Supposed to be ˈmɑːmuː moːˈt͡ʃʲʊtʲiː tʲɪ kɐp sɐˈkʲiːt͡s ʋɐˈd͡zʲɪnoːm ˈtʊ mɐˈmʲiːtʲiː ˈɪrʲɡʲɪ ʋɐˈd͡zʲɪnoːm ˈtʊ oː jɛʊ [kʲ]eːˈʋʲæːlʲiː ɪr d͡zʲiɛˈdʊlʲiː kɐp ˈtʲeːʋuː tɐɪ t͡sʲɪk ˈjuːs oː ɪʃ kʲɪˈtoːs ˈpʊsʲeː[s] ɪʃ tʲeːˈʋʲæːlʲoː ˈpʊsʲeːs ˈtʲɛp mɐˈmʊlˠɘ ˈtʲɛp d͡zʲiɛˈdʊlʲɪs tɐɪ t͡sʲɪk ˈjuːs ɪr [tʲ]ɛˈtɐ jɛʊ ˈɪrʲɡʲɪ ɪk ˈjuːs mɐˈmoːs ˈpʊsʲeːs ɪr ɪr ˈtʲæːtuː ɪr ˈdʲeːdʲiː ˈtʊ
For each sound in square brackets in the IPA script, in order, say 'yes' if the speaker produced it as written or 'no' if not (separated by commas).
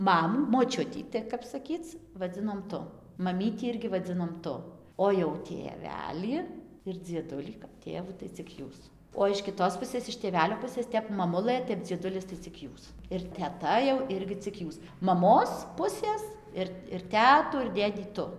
no, yes, yes